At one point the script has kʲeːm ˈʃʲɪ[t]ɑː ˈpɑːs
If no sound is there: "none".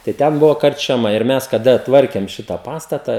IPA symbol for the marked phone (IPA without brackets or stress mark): t